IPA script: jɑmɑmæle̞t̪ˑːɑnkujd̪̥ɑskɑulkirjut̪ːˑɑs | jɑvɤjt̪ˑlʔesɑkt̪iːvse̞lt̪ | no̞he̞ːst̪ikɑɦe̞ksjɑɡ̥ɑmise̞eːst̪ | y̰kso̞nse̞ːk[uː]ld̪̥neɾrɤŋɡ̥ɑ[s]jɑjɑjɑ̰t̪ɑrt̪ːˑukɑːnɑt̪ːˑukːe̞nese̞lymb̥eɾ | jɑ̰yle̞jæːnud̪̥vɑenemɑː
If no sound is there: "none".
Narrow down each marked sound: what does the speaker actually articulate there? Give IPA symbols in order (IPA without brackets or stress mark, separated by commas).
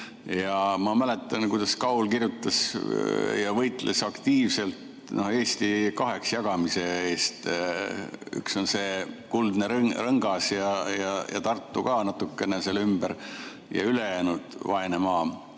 u, s